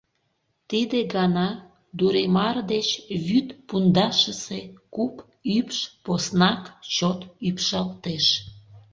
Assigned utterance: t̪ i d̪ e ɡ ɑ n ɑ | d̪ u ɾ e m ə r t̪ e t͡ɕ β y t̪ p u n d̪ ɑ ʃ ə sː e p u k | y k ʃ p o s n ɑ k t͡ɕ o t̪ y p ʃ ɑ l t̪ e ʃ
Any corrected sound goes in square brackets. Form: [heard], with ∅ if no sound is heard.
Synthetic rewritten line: t̪ i d̪ e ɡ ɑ n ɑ | d̪ u ɾ e m [ɑ] r [d̪] e t͡ɕ β y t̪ p u n d̪ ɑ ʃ ə [s] e [k] u [p] | y [p] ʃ p o s n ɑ k t͡ɕ o t̪ y p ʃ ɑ l t̪ e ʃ